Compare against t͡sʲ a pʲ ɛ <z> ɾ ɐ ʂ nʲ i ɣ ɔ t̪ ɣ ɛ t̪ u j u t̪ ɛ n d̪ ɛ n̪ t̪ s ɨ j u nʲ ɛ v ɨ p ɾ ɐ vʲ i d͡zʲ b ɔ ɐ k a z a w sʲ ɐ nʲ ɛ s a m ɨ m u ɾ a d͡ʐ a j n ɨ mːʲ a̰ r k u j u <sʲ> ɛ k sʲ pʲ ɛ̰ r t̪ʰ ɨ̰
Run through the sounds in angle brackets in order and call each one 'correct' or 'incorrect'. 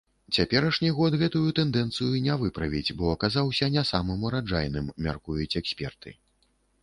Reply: incorrect, incorrect

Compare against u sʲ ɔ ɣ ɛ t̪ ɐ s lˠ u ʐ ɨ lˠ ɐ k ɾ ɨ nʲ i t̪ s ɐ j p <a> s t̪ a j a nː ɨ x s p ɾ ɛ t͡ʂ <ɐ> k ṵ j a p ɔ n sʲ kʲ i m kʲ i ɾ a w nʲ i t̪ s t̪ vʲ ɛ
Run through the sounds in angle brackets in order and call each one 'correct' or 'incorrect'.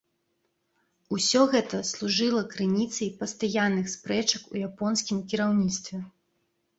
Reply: incorrect, correct

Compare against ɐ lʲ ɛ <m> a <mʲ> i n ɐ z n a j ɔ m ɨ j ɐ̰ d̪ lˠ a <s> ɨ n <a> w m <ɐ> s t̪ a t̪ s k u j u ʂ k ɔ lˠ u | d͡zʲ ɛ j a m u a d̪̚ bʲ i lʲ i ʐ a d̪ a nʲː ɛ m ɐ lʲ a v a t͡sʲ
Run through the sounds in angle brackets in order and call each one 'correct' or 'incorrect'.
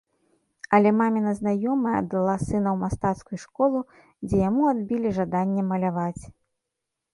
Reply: correct, correct, correct, incorrect, incorrect

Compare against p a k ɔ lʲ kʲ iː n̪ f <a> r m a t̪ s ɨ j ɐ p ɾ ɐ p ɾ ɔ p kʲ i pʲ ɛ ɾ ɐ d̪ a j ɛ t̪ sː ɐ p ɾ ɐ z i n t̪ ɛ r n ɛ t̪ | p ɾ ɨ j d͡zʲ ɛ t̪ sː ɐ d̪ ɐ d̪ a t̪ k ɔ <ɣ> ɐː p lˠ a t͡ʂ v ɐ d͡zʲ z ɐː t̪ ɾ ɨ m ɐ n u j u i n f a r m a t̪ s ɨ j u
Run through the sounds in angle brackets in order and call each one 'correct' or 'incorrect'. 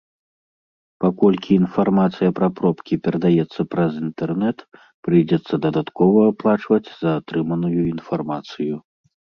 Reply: correct, incorrect

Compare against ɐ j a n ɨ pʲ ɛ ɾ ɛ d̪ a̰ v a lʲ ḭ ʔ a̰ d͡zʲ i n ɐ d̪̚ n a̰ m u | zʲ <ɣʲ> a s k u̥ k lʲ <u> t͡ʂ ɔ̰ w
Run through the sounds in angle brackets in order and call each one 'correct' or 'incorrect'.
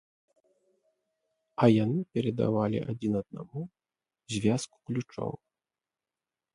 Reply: incorrect, correct

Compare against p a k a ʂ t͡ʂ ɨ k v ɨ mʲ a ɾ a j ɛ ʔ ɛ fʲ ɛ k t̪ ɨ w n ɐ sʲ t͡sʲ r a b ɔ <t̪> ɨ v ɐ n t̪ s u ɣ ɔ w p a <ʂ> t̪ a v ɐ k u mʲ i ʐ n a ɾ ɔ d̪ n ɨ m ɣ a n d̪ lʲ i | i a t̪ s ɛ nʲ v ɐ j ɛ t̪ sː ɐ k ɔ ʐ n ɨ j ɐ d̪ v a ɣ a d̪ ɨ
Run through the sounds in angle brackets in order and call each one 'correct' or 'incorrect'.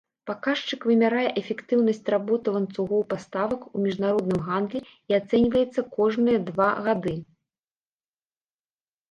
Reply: correct, incorrect

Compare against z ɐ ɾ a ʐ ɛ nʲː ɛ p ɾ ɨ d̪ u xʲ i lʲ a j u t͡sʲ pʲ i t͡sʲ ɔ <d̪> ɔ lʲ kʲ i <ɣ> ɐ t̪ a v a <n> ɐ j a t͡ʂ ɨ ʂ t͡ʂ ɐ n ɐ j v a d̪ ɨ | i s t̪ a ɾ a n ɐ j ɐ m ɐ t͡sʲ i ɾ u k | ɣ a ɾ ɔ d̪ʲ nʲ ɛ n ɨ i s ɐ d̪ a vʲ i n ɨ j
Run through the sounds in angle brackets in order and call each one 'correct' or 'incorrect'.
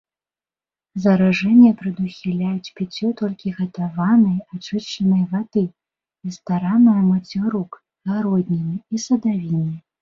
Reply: incorrect, correct, correct

